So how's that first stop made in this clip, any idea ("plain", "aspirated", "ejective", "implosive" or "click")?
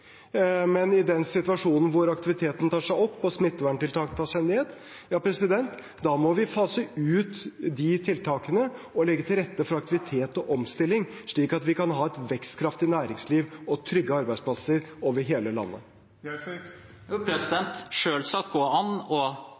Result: plain